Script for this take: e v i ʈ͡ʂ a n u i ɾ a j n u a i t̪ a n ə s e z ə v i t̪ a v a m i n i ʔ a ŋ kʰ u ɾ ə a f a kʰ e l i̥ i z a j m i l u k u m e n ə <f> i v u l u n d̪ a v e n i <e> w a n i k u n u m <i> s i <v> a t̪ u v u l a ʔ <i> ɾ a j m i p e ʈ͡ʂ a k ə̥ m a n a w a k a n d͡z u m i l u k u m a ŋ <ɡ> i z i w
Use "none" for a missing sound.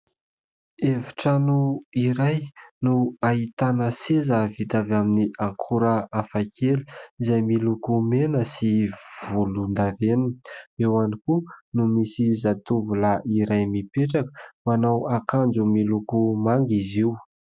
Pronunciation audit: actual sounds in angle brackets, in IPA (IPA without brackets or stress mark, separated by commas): s, e, i, z, i, ɡ